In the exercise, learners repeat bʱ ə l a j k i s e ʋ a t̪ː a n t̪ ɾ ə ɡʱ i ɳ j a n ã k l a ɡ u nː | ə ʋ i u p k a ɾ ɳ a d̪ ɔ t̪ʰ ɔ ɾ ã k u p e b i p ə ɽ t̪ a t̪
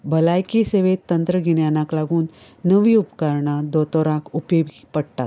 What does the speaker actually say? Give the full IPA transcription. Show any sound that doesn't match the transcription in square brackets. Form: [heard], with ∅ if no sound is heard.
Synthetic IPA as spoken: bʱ ə l a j k i s e ʋ [e] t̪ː [ə] n t̪ ɾ ə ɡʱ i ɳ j a n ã k l a ɡ [uː] nː | ə ʋ i u p k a ɾ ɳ a d̪ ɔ [t̪] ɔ ɾ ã k u p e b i p ə ɽ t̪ a t̪